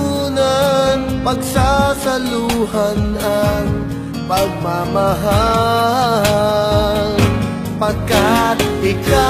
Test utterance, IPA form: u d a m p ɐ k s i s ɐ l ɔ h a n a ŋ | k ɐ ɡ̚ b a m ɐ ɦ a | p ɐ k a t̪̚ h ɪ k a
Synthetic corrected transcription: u n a n p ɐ ɡ s a s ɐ l u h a n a ŋ | p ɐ ɡ̚ m a m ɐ ɦ a | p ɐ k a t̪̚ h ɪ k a